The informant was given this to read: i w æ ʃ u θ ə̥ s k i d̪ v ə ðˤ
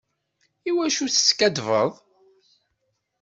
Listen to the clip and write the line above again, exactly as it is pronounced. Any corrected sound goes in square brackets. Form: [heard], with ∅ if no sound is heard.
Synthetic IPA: i w æ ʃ u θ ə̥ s k [æ] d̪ v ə ðˤ

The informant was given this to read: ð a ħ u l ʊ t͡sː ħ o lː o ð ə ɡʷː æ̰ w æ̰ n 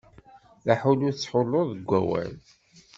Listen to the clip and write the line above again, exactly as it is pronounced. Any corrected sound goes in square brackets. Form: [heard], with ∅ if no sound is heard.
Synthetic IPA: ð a ħ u l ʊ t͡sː ħ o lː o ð ə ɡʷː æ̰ w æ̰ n

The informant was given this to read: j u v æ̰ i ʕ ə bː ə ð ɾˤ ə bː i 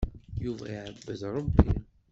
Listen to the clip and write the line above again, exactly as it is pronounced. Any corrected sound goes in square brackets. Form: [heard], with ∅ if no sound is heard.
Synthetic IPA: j u v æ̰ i ʕ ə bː ə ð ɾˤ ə bː i

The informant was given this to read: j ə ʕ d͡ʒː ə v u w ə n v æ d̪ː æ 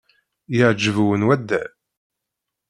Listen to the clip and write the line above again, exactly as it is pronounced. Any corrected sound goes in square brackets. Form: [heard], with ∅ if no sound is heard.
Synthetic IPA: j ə ʕ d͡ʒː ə v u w ə n [w] æ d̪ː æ

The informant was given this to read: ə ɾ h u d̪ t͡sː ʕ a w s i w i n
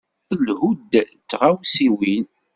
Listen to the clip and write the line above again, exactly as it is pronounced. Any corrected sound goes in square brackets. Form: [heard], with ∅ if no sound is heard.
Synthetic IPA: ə [l] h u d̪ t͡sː [ʁ] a w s i w i n

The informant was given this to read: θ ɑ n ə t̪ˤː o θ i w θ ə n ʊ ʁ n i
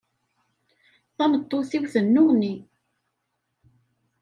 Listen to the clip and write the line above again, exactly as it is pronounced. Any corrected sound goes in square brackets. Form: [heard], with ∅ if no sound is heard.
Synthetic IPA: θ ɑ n ə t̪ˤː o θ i w θ ə [nː] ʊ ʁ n i

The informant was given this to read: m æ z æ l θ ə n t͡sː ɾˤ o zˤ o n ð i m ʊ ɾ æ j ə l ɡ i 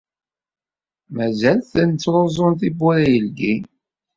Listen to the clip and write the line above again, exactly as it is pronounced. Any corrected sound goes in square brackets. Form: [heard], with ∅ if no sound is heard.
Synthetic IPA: m æ z æ l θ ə n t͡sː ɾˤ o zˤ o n [θ] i [b] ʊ ɾ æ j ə l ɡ i

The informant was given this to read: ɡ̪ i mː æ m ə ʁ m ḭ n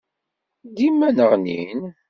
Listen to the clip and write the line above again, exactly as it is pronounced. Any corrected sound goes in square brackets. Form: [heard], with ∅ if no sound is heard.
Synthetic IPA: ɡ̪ i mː æ [n] ə ʁ [n] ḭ n

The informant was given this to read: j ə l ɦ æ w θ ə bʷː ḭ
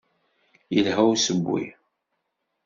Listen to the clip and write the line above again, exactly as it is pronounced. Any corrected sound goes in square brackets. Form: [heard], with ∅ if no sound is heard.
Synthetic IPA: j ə l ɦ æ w [s] ə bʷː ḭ

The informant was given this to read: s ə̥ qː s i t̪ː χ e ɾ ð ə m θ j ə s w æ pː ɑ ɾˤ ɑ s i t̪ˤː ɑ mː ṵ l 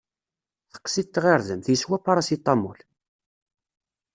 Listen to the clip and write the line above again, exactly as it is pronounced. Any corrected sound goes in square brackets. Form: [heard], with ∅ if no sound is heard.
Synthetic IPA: [θ] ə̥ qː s i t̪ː [ʁ] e ɾ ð ə m θ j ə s w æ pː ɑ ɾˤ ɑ s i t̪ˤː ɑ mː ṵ l

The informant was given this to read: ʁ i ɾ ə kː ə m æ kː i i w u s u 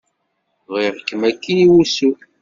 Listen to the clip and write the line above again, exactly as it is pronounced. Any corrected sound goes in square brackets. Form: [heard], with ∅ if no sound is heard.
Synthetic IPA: ʁ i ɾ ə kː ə m æ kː i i w u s u

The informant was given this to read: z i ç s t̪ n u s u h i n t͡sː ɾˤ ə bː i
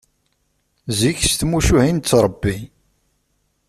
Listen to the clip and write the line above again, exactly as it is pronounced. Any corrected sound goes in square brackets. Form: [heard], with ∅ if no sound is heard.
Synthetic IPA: z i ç s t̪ [m] u [ʃ] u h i n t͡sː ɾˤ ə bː i

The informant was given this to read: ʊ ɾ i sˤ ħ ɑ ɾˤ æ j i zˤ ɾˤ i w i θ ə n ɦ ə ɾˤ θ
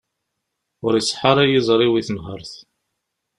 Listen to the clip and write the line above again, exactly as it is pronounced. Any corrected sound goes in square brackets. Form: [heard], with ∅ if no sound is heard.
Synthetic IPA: ʊ ɾ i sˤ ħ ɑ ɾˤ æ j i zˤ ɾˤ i w i θ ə n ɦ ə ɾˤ θ

